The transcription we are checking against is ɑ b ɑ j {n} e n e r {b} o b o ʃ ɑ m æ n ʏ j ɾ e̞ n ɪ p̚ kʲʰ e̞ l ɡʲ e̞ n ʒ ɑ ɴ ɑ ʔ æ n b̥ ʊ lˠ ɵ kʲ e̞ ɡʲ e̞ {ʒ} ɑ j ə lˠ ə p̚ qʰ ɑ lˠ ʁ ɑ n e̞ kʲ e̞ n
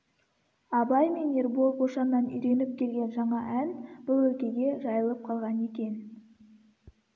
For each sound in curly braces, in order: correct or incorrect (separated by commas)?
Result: incorrect, correct, correct